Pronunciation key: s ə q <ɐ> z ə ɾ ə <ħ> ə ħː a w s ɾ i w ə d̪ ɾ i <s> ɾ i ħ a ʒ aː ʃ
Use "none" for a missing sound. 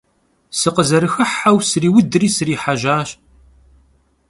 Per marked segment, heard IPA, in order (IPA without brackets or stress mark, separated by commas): ə, x, s